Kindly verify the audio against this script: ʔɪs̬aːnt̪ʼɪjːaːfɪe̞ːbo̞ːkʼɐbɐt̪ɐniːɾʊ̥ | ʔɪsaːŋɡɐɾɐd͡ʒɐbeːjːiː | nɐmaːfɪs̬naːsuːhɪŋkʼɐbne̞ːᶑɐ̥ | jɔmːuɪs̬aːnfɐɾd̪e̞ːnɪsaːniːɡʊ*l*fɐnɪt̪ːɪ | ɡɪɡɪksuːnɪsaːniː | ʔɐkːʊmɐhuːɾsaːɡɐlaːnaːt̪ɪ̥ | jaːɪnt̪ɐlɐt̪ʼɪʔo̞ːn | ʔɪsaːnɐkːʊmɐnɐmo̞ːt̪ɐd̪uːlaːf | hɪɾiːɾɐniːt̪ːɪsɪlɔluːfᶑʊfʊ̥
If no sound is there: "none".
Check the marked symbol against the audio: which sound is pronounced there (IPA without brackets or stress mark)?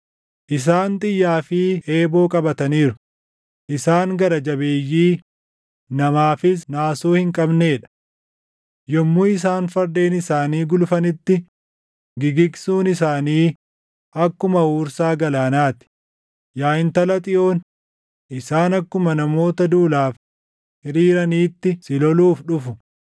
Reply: l